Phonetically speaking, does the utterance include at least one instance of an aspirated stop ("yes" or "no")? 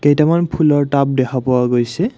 yes